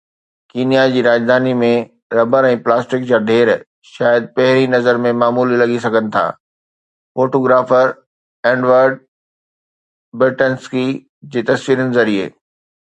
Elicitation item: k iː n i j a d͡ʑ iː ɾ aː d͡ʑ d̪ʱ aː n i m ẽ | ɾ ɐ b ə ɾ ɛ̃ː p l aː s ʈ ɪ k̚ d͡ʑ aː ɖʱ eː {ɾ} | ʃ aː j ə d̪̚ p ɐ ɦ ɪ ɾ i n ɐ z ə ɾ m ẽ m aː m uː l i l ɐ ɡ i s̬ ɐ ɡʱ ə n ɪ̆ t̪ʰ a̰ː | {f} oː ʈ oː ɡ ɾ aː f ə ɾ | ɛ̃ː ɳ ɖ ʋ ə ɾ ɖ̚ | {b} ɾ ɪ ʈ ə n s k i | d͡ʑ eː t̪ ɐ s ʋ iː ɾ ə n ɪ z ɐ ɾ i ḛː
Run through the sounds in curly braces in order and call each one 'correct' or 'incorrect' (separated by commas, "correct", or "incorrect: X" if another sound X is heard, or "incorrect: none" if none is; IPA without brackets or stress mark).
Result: correct, correct, correct